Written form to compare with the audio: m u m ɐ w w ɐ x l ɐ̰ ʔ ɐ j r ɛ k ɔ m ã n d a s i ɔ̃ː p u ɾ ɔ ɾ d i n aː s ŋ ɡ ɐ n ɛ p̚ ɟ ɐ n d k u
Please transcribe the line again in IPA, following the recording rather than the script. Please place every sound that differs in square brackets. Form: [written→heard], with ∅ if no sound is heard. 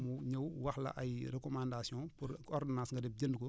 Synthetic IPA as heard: m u [m→ɲ] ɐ w w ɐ x l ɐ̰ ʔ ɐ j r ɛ k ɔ m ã n d a s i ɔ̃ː p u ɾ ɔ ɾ d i n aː s ŋ ɡ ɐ [n→d] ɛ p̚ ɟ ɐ n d k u